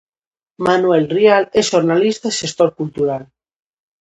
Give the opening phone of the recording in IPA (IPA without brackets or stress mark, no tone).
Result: m